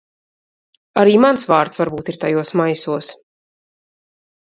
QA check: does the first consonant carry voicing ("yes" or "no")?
yes